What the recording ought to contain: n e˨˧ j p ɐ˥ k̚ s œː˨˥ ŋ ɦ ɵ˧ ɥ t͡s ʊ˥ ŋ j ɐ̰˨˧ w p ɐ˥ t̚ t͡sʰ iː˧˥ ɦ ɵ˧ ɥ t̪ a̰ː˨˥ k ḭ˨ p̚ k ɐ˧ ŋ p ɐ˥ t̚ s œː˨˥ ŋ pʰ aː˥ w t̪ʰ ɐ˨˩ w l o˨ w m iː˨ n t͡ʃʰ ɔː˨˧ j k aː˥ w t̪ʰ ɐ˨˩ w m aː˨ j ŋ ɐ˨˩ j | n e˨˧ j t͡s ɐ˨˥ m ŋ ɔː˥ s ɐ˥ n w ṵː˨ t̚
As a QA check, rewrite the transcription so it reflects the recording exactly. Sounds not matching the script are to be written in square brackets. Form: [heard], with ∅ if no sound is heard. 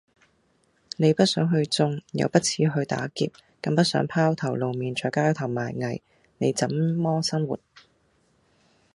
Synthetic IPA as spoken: n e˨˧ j p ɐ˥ [t̚] s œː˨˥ ŋ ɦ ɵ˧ ɥ t͡s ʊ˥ ŋ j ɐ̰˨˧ w p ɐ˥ t̚ t͡sʰ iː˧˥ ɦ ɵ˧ ɥ t̪ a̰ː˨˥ k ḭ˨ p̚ k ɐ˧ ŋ p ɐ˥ t̚ s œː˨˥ ŋ pʰ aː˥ w t̪ʰ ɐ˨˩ w l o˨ w m iː˨ n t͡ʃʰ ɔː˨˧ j k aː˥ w t̪ʰ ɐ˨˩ w m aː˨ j ŋ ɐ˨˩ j | n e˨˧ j t͡s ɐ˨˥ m [m] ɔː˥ s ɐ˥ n w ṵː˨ t̚